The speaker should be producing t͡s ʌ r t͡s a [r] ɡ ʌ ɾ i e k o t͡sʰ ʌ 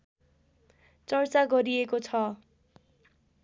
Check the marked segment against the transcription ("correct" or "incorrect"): incorrect